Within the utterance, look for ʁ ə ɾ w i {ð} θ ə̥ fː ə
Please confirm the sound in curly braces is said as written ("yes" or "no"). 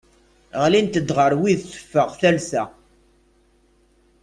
yes